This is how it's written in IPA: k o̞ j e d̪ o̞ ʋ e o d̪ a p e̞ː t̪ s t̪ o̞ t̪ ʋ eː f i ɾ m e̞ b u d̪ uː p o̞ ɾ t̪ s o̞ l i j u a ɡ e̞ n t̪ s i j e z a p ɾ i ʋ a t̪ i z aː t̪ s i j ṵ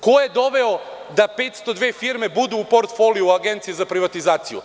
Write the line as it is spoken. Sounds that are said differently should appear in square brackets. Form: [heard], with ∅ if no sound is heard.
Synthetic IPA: k o̞ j e d̪ o̞ ʋ e o d̪ a p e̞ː t̪ s t̪ o̞ [d̪] ʋ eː f i ɾ m e̞ b u d̪ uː p o̞ ɾ t̪ [f] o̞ l i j u a ɡ e̞ n t̪ s i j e z a p ɾ i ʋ a t̪ i z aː t̪ s i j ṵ